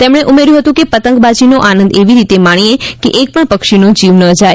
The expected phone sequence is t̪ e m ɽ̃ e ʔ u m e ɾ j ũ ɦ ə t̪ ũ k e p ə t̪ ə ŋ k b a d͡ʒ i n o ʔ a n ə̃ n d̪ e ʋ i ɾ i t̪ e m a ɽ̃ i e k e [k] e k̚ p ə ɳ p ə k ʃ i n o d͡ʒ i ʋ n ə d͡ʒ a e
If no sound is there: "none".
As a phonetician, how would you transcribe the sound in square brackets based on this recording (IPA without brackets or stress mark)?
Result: ʔ